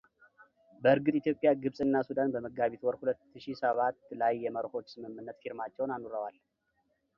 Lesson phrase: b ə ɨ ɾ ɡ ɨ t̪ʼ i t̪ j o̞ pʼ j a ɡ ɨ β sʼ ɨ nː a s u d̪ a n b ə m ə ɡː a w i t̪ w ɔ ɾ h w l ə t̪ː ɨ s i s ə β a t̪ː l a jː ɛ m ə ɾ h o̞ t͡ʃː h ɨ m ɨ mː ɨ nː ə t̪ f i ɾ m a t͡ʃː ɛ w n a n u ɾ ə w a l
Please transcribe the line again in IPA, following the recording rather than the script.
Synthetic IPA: b ə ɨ ɾ ɡ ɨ t̪ʼ i t̪ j o̞ pʼ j a ɡ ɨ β sʼ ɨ nː a s u d̪ a n b ə m ə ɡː a β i t̪ w ɔ ɾ h u l ə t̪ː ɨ ʃ i s ə β a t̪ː l a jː ɛ m ə ɾ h o̞ t͡ʃː s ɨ m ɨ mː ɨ nː ə t̪ f i ɾ m a t͡ʃː ɛ w n a n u ɾ ə w a l